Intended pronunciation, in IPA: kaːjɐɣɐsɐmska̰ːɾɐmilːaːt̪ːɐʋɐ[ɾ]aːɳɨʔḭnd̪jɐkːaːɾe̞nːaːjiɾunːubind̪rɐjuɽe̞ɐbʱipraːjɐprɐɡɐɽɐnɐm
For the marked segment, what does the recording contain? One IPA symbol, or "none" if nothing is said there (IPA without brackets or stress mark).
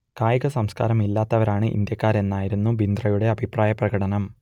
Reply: ɾ